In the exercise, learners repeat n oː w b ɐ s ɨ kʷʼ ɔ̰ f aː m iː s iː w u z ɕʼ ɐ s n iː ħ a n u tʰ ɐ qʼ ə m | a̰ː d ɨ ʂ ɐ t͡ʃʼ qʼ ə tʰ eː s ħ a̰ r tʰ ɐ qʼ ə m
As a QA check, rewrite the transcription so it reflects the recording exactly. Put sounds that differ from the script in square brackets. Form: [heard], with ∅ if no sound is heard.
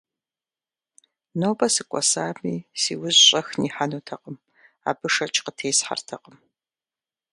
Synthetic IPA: n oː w b ɐ s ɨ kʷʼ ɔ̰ [s] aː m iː s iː w [ʊ] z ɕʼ ɐ [x] n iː ħ a n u tʰ ɐ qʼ ə m | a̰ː [b] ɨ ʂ ɐ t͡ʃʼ [q] ə tʰ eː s ħ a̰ r tʰ ɐ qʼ ə m

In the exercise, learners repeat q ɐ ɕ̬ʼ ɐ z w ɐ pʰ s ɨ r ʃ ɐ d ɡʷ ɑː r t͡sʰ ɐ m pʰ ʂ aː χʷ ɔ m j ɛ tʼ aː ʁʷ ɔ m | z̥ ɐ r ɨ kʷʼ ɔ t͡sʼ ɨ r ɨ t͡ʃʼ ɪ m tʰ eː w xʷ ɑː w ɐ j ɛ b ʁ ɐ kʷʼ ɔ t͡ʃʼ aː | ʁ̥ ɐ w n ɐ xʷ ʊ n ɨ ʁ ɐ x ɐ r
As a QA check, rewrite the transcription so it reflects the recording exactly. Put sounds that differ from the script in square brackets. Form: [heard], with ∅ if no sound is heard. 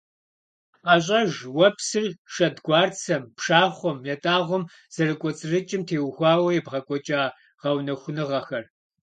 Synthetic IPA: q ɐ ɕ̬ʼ ɐ [ʒ] w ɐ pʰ s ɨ r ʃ ɐ d ɡʷ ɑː r t͡sʰ ɐ m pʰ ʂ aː χʷ ɔ m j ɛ tʼ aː ʁʷ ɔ m | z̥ ɐ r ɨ kʷʼ ɔ t͡sʼ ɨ r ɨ t͡ʃʼ ɪ m tʰ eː w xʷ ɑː w ɐ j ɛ b ʁ ɐ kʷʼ ɔ t͡ʃʼ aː | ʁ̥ ɐ w n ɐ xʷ ʊ n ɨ ʁ ɐ x ɐ r

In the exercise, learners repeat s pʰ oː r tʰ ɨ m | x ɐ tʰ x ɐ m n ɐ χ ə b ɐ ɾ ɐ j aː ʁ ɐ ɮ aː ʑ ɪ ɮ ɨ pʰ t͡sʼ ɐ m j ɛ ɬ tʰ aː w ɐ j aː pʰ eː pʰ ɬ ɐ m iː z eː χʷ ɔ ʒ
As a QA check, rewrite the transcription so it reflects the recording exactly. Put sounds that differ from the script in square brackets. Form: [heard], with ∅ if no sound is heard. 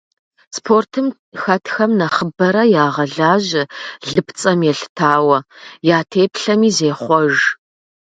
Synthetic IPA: s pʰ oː r tʰ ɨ m | x ɐ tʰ x ɐ m n ɐ χ ə b ɐ ɾ ɐ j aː ʁ ɐ ɮ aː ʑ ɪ ɮ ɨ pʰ t͡sʼ ɐ m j ɛ ɬ tʰ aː w ɐ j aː [tʰ] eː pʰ ɬ ɐ m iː z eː χʷ ɔ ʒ

